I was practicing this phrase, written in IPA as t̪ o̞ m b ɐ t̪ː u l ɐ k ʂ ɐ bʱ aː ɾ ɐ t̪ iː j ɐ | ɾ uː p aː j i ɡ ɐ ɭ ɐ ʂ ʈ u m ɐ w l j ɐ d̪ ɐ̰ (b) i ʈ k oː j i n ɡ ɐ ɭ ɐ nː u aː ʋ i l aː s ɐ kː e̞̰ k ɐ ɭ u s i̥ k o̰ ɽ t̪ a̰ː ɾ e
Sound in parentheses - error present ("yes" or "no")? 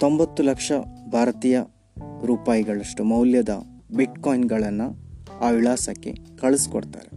no